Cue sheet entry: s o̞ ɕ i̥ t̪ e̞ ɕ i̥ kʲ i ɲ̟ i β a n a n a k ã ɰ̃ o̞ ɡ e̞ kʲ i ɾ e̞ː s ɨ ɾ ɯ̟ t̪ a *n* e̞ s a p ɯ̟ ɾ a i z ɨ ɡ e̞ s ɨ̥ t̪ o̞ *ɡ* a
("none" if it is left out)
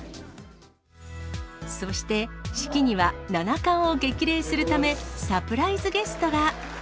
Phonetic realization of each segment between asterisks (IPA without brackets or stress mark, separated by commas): m, ɡ